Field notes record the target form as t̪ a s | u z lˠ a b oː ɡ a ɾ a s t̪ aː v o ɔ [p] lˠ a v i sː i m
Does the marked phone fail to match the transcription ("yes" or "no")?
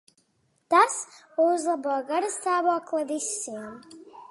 yes